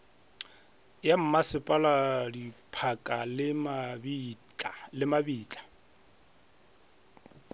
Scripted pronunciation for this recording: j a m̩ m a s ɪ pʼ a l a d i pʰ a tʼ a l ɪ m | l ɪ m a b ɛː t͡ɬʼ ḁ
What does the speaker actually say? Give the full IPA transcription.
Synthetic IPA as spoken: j a m̩ m a s ɪ pʼ a l a d i pʰ a kʼ a l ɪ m | l ɪ m a b iː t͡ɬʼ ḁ